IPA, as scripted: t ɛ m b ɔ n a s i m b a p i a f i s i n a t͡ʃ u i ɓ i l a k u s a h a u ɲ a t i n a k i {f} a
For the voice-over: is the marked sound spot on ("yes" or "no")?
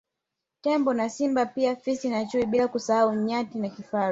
yes